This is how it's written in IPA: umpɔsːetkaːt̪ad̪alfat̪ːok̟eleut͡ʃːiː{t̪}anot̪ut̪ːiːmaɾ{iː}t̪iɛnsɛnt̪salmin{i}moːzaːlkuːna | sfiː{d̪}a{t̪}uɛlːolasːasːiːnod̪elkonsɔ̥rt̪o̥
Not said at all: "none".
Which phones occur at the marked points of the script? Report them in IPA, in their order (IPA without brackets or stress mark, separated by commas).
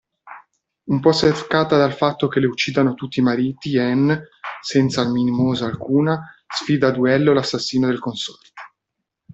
d̪, iː, i, d̪, d̪